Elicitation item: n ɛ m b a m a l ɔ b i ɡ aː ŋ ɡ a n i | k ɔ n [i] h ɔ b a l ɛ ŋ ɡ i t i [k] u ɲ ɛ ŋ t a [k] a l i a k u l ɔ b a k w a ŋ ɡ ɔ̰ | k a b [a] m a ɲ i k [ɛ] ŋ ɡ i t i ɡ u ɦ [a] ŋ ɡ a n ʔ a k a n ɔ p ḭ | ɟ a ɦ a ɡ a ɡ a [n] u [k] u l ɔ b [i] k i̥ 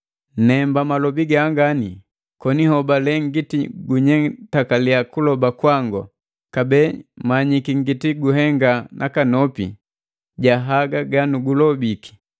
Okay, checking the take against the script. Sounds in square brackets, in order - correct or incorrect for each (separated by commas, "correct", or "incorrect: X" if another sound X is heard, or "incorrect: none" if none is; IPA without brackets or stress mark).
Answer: correct, incorrect: ɡ, correct, incorrect: ɛ, incorrect: i, incorrect: ɛ, correct, incorrect: ɡ, correct